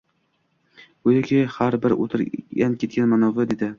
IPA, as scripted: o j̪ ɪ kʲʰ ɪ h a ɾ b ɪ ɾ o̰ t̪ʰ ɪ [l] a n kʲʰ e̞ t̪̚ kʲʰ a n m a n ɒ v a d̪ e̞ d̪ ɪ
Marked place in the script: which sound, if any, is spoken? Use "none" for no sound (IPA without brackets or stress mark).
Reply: ɾ